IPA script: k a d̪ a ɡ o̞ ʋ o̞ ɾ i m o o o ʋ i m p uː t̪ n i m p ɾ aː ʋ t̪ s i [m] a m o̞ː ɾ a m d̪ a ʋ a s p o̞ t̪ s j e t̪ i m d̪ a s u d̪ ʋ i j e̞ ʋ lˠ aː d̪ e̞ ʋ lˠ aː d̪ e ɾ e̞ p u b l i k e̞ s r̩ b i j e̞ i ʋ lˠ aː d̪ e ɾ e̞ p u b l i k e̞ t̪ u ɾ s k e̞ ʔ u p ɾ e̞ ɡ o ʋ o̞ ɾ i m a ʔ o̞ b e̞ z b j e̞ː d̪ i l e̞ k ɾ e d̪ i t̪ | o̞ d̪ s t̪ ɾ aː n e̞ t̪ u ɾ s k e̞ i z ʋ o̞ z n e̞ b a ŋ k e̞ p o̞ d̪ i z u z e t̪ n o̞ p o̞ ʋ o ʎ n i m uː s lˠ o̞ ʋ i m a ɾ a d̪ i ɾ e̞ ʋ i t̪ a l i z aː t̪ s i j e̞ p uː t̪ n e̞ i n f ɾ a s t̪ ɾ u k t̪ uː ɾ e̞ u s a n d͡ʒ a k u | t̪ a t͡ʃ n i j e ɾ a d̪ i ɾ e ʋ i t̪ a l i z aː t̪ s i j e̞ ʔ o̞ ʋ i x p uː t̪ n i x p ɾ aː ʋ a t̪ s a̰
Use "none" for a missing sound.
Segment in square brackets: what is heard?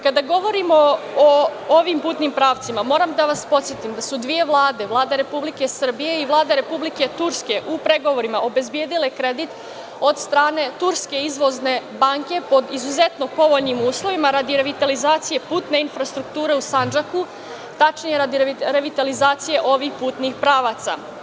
m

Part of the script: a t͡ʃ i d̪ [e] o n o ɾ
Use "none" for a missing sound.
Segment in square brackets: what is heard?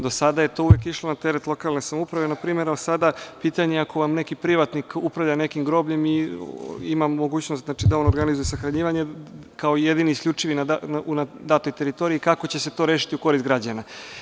a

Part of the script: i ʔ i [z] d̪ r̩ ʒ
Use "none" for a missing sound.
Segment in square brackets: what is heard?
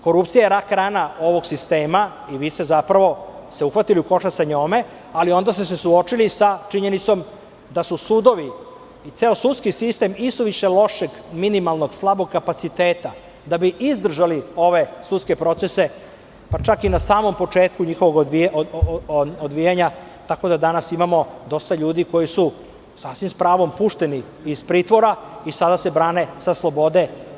z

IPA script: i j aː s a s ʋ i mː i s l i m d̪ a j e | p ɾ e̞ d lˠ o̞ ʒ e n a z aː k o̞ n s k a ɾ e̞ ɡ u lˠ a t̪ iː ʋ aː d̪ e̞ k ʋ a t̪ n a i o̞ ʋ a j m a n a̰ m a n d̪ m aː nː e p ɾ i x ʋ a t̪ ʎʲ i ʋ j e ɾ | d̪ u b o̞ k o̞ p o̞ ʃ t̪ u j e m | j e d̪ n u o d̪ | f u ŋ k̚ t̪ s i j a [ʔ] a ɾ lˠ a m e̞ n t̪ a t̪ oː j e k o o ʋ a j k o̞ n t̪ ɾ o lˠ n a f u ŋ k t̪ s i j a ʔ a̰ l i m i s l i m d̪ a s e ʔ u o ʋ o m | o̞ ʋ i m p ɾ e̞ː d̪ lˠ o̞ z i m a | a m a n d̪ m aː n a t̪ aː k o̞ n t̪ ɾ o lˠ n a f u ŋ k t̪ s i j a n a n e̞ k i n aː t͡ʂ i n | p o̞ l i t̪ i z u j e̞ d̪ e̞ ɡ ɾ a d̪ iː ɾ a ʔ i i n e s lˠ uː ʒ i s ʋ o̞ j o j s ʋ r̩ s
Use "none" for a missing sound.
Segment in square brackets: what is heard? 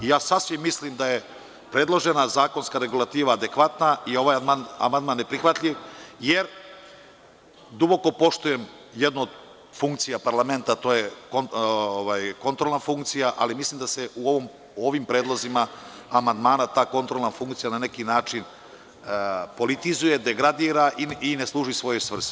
p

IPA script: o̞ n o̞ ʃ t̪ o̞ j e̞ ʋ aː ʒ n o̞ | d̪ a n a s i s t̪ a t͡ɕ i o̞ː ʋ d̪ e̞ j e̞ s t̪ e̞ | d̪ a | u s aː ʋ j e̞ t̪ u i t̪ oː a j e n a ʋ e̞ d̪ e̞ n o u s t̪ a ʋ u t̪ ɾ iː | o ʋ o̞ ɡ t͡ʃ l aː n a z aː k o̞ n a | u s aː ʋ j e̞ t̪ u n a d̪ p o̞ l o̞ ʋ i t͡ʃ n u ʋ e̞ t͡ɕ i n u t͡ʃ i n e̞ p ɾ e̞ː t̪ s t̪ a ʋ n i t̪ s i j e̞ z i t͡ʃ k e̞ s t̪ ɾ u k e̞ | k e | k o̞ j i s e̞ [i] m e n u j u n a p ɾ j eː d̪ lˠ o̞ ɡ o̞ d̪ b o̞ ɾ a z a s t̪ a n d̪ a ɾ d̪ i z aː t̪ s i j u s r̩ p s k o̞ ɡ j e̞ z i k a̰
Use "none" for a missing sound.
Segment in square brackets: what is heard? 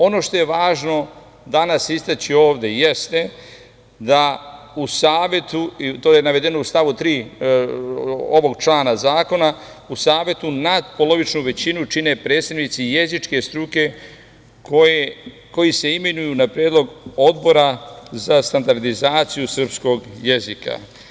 i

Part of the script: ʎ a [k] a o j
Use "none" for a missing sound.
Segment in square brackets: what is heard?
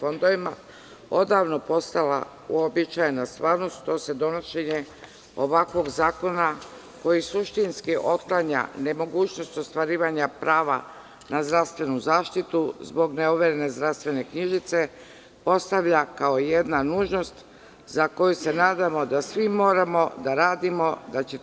k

